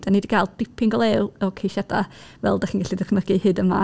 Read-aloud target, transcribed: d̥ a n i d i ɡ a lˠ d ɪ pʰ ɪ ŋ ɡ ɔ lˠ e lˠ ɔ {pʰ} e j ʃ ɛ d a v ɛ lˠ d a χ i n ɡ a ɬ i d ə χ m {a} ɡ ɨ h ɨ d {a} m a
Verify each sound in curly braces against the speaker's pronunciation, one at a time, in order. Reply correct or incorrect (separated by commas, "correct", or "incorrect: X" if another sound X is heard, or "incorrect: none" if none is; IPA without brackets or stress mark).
incorrect: kʰ, incorrect: ə, incorrect: ə